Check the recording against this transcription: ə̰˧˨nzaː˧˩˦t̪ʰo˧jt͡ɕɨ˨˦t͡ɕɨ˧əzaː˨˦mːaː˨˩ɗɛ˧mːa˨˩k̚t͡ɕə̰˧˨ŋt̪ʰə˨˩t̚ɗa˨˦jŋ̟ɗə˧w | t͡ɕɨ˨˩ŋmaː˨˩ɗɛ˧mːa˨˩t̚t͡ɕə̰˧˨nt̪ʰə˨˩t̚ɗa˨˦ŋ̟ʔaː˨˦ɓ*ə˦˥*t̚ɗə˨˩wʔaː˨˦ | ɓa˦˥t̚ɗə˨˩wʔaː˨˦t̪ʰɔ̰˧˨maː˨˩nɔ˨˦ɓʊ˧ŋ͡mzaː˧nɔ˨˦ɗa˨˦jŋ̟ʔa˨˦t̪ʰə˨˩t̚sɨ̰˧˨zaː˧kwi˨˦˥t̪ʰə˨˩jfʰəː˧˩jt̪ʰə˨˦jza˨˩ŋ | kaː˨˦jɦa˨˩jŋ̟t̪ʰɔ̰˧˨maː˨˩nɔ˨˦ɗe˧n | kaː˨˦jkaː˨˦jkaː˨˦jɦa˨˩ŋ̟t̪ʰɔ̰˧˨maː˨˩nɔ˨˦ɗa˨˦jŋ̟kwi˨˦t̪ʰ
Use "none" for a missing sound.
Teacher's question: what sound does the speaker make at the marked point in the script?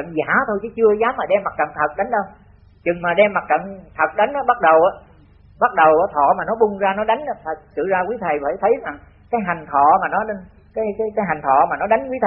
a˦˥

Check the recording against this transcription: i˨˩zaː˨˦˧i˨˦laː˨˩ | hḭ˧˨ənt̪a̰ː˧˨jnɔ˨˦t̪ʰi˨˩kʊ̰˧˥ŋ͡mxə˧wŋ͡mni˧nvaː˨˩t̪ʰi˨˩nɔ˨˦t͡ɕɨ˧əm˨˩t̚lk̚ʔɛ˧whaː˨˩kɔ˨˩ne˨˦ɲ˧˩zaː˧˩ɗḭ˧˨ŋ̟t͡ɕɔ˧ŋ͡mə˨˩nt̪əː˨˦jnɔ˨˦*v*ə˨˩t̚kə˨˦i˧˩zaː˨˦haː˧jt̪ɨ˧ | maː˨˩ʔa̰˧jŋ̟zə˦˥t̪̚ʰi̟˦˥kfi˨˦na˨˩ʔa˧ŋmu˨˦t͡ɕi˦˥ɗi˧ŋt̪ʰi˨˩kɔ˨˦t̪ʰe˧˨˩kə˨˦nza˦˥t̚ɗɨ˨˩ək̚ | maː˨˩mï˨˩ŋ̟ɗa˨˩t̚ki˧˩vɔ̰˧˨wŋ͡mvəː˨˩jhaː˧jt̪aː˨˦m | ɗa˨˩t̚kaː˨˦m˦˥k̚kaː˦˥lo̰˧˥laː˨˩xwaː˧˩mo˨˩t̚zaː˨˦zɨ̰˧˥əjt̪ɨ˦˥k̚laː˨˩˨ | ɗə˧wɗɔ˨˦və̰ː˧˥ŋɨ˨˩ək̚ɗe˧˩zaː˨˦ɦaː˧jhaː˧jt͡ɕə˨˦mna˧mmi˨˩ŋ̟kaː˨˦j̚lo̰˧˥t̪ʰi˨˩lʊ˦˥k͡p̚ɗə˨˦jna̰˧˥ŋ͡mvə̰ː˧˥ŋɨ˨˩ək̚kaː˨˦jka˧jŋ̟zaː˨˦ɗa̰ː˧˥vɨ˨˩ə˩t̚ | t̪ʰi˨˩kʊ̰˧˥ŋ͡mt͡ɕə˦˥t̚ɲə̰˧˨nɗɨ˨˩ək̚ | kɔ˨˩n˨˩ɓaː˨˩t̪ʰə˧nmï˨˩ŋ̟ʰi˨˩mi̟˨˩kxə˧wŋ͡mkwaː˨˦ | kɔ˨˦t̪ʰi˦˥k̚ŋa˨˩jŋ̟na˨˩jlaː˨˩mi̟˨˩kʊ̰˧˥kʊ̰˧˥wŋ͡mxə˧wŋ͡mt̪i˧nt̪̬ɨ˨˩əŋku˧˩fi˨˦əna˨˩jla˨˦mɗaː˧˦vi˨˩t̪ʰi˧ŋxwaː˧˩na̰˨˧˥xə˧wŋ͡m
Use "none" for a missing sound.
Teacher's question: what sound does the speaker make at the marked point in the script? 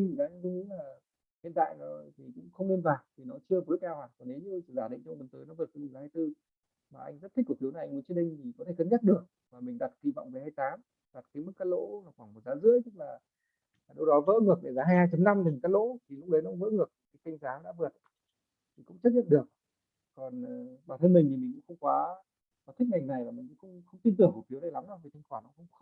v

